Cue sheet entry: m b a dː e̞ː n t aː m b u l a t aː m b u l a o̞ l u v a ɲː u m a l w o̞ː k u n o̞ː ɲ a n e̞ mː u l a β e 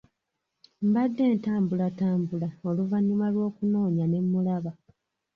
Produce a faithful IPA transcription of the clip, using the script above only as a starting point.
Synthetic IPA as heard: m b a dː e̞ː n t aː m b u l a t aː m b u l a o̞ l u v a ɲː u m a l w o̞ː k u n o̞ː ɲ a n e̞ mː u l a β a

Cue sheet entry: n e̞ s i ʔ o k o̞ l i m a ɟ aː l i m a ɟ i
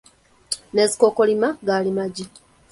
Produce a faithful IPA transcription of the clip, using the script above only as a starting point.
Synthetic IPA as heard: n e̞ z i k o k o̞ l i m a ɡ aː l i m a ɟ i

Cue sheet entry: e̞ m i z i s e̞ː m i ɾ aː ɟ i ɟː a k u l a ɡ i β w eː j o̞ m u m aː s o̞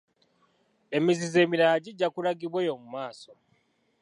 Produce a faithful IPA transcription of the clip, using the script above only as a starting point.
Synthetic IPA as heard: e̞ m i z i z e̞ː m i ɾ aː ɟ i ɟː a k u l a ɡ i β w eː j o̞ m u m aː s o̞

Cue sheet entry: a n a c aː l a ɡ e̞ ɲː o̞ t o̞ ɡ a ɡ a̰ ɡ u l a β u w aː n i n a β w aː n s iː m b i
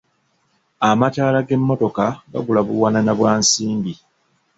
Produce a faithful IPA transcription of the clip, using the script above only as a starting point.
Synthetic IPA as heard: a m a t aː l a ɡ e̞ mː o̞ t o̞ k a ɡ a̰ ɡ u l a β u w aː n a n a β w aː n s iː m b i

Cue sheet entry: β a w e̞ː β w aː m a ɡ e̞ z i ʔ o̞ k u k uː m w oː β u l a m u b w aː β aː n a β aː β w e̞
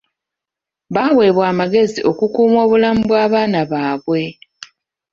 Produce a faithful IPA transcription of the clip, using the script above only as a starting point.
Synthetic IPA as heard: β a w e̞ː β w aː m a ɡ e̞ z i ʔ o̞ k u k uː m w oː β u l a m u b w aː β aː n a β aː β w e̞

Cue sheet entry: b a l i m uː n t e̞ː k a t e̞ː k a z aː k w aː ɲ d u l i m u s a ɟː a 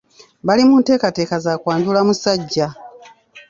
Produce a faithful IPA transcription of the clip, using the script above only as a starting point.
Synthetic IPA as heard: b a l i m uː n t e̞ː k a t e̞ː k a z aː k w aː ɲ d u l a m u s a ɟː a

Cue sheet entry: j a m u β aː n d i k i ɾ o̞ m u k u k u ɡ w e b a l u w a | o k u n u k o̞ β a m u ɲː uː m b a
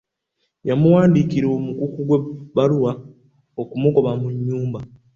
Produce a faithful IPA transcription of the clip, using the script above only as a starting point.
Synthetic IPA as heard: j a m u w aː n d i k i ɾ o̞ m u k u k u ɡ w e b a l u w a | o k u m u k o̞ β a m u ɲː uː m b a

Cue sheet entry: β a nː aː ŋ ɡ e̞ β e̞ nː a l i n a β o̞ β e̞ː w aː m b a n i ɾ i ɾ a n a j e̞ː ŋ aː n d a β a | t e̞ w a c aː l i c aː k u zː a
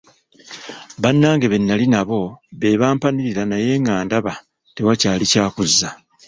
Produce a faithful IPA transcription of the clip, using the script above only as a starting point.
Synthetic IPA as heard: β a nː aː ŋ ɡ e̞ β e̞ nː a l i n a β o̞ β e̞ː β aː m p a n i ɾ i ɾ a n a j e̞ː ŋ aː n d a β a | t e̞ w a c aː l i c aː k u zː a

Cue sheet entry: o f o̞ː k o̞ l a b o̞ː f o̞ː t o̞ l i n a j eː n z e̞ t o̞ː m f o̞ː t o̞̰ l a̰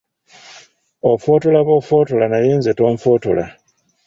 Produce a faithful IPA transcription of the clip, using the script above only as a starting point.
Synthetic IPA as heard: o f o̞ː t o̞ l a β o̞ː f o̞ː t o̞ l a n a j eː n z e̞ t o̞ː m f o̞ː t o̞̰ l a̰

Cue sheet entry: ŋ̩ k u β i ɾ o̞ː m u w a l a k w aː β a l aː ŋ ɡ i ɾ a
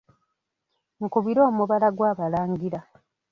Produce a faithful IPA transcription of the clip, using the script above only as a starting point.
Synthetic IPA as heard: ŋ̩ k u β i ɾ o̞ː m u β a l a ɡ w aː β a l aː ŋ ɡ i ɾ a

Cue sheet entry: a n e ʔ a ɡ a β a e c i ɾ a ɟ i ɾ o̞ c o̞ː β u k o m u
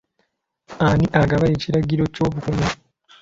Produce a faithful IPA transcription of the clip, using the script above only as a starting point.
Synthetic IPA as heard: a n i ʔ a ɡ a β a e c i ɾ a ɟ i ɾ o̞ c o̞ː β u k u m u

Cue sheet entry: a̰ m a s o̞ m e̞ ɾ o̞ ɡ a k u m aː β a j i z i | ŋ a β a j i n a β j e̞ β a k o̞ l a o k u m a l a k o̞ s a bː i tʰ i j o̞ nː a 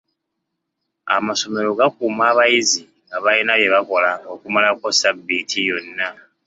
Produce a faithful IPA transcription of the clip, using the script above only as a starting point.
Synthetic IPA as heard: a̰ m a s o̞ m e̞ ɾ o̞ ɡ a k u m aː β a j i z i | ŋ a β a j i n a β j e̞ β a k o̞ l a o k u m a l a k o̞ s a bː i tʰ i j o̞ nː a

